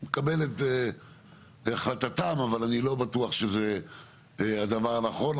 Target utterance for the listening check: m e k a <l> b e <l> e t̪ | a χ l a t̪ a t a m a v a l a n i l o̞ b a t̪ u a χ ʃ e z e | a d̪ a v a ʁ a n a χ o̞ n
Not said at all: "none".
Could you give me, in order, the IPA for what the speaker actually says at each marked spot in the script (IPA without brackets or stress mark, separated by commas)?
none, l